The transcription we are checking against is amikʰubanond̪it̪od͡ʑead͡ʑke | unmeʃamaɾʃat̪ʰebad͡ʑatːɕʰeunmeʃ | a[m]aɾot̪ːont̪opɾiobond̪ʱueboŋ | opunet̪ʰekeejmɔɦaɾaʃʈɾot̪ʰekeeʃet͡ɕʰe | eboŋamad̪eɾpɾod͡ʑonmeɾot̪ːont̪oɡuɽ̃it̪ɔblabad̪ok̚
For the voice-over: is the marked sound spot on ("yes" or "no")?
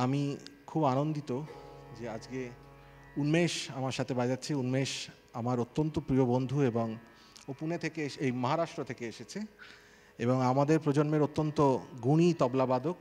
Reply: yes